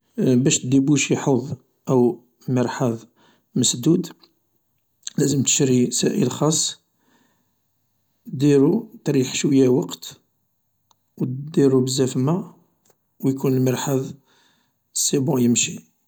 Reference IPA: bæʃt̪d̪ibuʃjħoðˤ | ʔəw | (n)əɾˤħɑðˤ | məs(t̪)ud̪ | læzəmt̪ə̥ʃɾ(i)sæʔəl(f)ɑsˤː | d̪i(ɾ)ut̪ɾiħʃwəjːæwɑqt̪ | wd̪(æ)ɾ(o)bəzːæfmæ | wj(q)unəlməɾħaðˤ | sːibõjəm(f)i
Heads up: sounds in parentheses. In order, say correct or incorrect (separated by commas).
incorrect, incorrect, correct, incorrect, correct, incorrect, incorrect, incorrect, incorrect